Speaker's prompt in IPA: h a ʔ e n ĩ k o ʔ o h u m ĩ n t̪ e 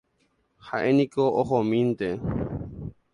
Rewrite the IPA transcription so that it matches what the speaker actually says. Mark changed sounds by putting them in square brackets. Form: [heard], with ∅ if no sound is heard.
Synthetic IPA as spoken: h a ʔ e n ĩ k o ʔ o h [o] m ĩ n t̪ e